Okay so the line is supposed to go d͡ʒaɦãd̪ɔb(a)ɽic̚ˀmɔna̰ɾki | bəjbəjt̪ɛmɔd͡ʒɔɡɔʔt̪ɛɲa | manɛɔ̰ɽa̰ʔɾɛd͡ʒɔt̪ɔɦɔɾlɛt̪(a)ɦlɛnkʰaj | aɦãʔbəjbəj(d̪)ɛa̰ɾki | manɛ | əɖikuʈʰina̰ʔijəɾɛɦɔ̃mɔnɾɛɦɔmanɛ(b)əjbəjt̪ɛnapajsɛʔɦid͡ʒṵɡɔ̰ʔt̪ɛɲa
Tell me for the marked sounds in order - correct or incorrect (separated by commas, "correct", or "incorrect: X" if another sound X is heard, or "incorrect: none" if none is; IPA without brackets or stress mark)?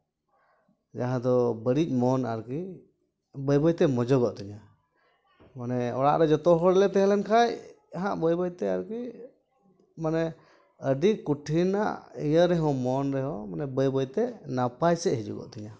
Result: incorrect: ə, incorrect: ɛ, incorrect: t̪, correct